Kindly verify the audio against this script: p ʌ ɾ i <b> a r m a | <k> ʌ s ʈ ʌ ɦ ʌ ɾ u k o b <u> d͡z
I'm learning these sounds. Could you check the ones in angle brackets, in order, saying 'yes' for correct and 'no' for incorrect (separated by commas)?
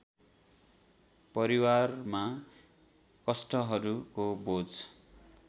no, yes, no